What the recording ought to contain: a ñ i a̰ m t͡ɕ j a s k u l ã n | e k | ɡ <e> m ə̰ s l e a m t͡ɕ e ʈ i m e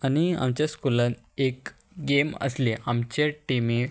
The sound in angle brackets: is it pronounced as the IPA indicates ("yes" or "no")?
yes